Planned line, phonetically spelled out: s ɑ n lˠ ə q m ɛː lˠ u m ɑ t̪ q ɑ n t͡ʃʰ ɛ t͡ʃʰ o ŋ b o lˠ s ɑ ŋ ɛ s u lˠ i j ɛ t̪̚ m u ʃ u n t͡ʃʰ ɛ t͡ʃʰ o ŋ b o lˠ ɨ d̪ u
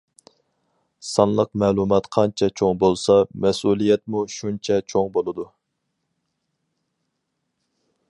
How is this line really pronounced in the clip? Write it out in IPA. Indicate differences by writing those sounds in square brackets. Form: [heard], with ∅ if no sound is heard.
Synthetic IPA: s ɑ n lˠ ə q m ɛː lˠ u m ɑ t̪ [qʰ] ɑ n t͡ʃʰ ɛ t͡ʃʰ o ŋ b o lˠ s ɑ [m] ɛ s u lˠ i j ɛ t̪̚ m u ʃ u n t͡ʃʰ ɛ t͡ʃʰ o ŋ b o lˠ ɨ d̪ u